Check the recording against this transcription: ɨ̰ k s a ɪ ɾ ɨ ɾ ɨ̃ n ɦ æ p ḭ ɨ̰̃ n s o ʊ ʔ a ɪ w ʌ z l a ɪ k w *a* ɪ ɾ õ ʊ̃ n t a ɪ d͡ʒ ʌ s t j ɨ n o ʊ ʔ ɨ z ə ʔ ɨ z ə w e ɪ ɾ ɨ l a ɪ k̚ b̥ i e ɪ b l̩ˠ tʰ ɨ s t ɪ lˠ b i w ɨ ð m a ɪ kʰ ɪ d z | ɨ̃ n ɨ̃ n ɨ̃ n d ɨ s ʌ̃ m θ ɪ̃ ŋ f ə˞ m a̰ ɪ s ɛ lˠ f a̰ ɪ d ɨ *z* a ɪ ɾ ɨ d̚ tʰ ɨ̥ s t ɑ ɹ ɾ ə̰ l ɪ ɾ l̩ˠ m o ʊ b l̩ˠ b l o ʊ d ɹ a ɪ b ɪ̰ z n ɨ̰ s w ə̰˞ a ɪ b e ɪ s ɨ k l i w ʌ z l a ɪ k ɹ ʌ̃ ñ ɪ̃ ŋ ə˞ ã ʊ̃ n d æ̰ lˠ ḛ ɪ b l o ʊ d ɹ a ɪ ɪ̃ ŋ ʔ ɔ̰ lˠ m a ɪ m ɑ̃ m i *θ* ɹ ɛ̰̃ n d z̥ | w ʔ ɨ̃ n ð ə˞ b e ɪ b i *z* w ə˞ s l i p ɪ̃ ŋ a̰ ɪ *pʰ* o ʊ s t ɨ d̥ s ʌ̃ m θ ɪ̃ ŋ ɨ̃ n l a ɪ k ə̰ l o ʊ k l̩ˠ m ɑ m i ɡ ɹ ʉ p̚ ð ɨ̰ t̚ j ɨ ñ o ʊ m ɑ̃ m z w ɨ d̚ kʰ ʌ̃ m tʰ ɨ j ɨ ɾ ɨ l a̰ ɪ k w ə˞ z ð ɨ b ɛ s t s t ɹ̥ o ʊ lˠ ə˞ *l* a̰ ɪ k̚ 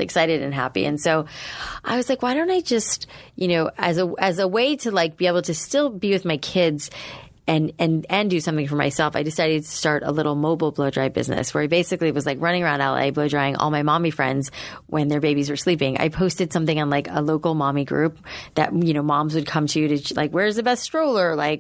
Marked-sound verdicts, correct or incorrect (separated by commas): correct, incorrect, incorrect, correct, correct, correct